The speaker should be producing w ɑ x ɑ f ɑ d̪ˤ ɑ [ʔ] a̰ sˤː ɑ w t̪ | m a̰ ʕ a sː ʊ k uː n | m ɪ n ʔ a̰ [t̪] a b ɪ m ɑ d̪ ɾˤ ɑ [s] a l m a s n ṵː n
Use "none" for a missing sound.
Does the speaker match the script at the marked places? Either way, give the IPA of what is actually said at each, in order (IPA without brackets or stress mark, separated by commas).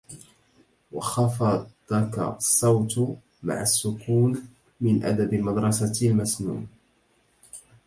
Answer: k, d̪, s